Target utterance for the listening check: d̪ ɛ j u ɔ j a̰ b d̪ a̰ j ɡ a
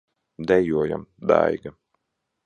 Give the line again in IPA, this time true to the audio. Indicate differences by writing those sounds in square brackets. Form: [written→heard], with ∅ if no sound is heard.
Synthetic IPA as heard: d̪ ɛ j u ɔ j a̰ [b→m] d̪ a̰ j ɡ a